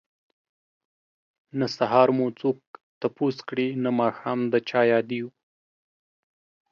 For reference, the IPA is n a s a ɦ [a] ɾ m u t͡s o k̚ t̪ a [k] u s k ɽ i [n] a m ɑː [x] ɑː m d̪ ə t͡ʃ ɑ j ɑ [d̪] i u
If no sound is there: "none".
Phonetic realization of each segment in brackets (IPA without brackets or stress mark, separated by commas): ɑ, p, n, x, d̪